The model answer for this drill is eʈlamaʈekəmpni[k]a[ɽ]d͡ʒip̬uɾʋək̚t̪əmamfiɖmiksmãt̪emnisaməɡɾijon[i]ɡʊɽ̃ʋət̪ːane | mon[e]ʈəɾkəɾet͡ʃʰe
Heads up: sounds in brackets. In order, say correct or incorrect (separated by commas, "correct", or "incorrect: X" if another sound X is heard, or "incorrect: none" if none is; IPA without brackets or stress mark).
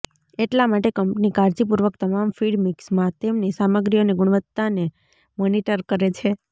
correct, incorrect: ɾ, incorrect: e, incorrect: i